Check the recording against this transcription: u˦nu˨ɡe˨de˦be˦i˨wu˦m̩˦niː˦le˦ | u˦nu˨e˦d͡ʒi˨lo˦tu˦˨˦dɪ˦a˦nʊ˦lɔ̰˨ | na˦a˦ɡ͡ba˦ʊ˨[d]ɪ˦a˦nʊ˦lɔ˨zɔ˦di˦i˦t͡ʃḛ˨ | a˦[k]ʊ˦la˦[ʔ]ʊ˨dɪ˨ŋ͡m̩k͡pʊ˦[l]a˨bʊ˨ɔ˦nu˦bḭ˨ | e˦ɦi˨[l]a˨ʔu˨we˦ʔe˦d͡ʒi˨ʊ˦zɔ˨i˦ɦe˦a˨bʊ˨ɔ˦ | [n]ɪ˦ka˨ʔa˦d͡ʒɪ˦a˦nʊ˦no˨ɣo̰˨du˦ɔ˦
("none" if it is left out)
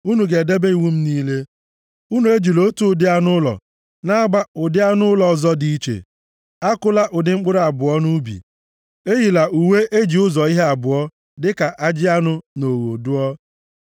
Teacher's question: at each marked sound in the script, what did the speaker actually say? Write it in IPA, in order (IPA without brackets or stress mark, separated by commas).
d, k, ʔ, ɾ, l, d